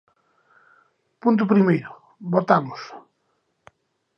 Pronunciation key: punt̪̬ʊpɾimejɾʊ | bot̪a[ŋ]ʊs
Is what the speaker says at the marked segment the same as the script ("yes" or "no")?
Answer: no